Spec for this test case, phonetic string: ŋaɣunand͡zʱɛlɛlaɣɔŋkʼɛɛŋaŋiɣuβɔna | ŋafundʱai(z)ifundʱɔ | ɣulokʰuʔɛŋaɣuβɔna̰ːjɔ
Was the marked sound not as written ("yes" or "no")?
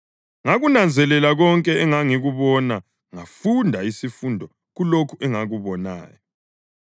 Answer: yes